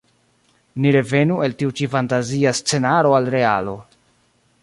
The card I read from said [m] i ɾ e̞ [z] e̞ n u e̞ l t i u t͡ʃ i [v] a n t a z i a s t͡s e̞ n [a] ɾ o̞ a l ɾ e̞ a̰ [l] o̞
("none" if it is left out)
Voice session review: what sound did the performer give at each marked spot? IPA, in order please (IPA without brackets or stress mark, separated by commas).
n, v, f, a, l